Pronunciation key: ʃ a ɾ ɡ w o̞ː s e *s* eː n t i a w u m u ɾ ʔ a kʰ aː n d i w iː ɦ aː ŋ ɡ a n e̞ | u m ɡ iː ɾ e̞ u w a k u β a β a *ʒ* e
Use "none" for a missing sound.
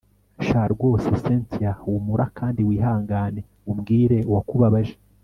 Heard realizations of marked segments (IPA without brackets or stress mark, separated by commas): s, ʒ